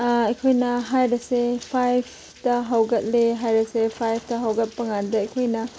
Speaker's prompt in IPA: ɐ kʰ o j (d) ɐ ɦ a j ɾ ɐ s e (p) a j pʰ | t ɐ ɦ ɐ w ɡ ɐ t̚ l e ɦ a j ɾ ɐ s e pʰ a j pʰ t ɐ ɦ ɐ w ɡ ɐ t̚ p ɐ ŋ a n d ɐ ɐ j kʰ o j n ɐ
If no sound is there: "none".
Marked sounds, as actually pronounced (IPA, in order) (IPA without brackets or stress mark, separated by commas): n, pʰ